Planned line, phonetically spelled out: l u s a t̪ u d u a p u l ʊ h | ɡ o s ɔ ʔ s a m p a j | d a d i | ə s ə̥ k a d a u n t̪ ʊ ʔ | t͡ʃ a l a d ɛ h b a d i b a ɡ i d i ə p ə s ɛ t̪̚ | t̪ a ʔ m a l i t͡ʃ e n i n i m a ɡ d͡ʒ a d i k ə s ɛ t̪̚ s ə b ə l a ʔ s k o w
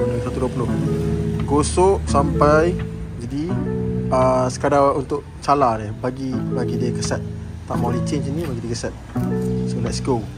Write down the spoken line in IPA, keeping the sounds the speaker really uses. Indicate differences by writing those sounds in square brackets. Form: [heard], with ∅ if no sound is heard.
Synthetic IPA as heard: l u s a t̪ u d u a p u l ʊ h | ɡ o s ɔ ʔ s a m p a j | [d͡ʒ] a d i | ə s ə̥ k a d a u n t̪ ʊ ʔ | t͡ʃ a l a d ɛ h b a [ɡ] i b a ɡ i d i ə [k] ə s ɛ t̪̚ | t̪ a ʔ m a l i t͡ʃ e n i n i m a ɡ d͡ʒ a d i k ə s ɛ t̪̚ s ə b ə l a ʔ s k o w